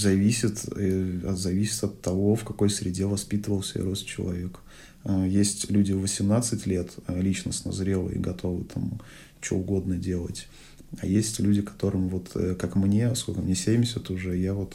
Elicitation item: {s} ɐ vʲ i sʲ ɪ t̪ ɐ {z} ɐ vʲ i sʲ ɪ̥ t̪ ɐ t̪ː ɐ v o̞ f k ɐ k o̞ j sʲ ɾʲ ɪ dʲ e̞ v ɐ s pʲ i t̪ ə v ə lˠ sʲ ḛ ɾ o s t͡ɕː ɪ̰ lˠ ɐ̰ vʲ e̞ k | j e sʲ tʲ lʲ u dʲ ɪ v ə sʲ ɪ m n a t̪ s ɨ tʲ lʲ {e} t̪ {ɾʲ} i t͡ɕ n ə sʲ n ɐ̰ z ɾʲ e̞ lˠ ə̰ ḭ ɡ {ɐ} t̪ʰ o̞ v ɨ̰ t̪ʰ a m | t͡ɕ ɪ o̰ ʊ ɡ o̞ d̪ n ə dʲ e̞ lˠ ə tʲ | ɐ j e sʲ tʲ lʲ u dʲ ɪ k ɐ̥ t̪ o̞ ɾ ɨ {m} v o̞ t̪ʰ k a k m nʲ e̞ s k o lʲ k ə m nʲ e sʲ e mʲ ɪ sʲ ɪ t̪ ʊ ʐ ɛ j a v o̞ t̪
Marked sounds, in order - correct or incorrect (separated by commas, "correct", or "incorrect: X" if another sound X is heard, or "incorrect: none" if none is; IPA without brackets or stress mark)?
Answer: incorrect: z, correct, correct, incorrect: lʲ, correct, correct